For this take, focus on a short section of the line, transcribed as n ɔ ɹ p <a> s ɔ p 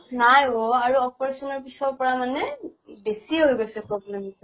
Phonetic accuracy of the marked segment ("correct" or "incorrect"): incorrect